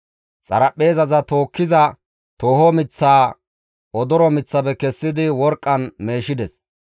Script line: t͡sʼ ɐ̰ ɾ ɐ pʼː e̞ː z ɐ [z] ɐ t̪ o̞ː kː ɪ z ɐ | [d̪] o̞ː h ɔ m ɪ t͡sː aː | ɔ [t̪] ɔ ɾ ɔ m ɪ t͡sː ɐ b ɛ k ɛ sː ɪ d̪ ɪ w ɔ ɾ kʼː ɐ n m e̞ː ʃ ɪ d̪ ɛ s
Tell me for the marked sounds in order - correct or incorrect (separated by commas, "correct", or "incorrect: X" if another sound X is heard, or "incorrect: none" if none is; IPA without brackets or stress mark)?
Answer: correct, incorrect: t̪, incorrect: d̪